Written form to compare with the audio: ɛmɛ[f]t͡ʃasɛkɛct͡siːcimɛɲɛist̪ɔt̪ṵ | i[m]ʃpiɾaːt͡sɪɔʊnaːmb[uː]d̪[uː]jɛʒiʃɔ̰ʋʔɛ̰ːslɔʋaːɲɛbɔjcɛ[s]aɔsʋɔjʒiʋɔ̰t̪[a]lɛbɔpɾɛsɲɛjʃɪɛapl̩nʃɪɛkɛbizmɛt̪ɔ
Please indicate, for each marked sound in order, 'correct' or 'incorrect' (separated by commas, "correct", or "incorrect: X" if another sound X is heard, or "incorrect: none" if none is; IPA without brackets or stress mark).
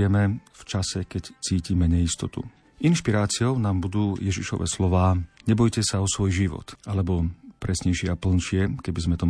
correct, incorrect: n, incorrect: u, correct, correct, correct